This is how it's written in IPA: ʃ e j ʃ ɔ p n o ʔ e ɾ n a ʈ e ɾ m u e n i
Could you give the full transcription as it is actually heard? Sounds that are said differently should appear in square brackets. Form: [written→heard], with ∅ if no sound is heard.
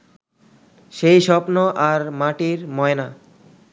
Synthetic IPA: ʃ e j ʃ ɔ p n o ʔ [e→a] ɾ [n→m] a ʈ [e→i] ɾ m [u→ɔ] e n [i→a]